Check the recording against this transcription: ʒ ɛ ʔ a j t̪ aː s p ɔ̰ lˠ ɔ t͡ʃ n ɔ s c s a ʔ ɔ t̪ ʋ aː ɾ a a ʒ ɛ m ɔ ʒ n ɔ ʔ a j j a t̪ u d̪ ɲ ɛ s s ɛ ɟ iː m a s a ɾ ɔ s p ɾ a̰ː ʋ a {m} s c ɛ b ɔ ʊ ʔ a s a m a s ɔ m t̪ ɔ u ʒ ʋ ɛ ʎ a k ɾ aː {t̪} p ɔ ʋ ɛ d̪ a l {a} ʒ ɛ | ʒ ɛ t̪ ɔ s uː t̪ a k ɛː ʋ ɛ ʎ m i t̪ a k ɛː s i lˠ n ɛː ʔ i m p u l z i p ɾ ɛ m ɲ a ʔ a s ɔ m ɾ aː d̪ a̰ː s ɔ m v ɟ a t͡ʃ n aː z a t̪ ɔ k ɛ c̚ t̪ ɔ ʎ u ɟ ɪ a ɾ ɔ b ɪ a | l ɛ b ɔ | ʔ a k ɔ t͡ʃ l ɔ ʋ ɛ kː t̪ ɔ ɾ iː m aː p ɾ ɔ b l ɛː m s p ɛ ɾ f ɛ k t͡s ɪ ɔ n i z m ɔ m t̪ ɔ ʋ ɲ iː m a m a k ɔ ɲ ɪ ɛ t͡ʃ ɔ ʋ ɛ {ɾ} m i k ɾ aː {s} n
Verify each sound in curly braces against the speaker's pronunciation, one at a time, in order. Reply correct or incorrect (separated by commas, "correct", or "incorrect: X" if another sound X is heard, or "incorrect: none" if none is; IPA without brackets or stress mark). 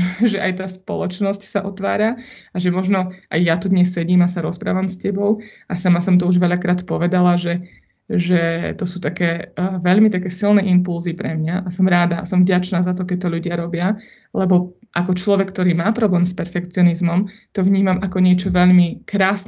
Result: correct, correct, correct, incorrect: ʎ, correct